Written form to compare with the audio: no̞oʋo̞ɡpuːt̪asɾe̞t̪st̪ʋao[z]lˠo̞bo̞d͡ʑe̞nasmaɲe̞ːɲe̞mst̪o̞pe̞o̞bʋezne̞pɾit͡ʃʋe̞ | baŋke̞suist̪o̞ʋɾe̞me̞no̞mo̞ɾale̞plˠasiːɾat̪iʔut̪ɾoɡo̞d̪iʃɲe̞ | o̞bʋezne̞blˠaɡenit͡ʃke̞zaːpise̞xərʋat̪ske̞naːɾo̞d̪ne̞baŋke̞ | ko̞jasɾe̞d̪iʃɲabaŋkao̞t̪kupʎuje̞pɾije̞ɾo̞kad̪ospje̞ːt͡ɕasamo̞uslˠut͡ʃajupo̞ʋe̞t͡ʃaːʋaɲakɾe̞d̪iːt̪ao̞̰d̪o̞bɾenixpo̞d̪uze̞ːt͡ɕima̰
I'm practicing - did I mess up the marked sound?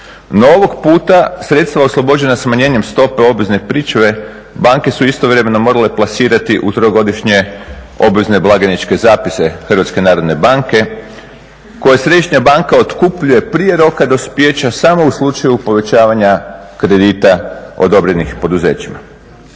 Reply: yes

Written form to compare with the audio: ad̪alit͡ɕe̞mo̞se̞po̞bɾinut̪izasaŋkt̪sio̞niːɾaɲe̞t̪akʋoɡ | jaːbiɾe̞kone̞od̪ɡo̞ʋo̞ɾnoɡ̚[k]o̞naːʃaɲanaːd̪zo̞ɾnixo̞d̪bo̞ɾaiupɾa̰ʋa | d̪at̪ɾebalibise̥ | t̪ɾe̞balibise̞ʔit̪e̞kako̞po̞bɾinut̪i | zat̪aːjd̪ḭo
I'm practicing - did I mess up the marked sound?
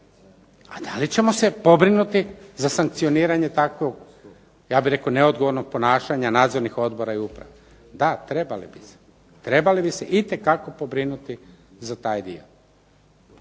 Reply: yes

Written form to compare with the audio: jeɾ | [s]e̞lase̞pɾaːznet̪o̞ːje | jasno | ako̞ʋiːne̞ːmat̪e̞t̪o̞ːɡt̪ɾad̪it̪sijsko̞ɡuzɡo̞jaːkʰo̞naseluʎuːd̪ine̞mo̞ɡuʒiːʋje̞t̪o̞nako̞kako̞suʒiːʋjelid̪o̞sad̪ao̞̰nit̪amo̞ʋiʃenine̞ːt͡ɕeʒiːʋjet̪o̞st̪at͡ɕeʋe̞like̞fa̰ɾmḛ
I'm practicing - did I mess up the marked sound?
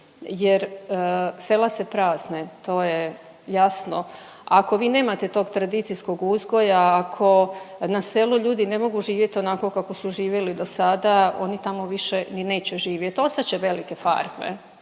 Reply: no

